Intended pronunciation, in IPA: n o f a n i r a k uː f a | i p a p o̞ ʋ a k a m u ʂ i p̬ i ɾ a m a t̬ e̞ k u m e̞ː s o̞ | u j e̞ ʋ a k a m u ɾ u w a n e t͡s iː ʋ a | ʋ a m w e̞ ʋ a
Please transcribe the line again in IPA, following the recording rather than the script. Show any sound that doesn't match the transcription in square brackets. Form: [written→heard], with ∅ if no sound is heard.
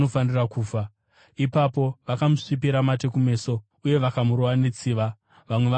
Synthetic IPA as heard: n o f a n i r a k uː f a | i p a p o̞ ʋ a k a m u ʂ i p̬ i ɾ a m a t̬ e̞ k u m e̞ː s o̞ | u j e̞ ʋ a k a m u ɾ [u→o] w a n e t͡s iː ʋ a | ʋ a m w e̞ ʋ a

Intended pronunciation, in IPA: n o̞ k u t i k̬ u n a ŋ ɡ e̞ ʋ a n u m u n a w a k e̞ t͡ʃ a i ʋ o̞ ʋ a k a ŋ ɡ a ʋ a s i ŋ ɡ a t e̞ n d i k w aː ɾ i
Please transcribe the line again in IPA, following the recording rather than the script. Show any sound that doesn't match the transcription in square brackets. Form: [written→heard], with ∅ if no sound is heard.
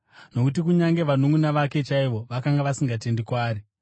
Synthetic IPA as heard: n o̞ k u t i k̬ u [n→ɲ] a ŋ ɡ e̞ ʋ a n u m u n a [w→ʋ] a k e̞ t͡ʃ a i ʋ o̞ ʋ a k a ŋ ɡ a ʋ a s i ŋ ɡ a t e̞ n d i k w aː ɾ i

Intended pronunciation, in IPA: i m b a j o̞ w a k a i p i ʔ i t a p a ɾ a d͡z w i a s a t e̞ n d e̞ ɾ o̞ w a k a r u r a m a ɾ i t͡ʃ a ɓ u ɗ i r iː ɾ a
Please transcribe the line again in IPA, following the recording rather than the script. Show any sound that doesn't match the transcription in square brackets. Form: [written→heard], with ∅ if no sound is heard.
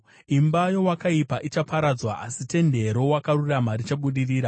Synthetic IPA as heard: i m b a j o̞ w a k a i p [i→a] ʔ i [t→t͡ʃ] a p a ɾ a d͡z w [i→a] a s [a→i] t e̞ n d e̞ ɾ o̞ w a k a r u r a m a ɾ i t͡ʃ a ɓ u ɗ i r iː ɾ a

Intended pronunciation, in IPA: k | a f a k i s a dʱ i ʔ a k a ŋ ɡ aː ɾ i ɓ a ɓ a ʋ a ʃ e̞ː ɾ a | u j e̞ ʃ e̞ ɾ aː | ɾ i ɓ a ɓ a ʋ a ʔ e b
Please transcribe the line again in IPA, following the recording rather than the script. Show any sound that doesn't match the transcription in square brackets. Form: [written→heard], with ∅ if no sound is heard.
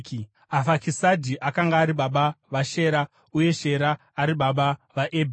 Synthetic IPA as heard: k | a f a k i s a dʱ i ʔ a k a ŋ ɡ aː ɾ i ɓ a ɓ a ʋ a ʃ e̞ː ɾ a | u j e̞ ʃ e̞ ɾ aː | ɾ i ɓ a ɓ a ʋ a ʔ e b

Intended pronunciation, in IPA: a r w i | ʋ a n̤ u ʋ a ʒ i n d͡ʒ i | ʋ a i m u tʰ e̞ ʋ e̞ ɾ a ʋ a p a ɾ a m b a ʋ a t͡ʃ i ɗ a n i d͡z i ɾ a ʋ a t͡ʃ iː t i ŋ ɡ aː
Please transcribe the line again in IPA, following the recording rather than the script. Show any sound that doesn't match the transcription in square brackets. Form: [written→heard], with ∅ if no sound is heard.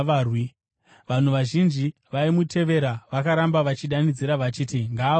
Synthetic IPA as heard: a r w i | ʋ a n̤ u ʋ a ʒ i n d͡ʒ i | ʋ a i m u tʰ e̞ ʋ e̞ ɾ a ʋ a [p→k] a ɾ a m b a ʋ a t͡ʃ i ɗ a n i d͡z i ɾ a ʋ a t͡ʃ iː t i ŋ ɡ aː

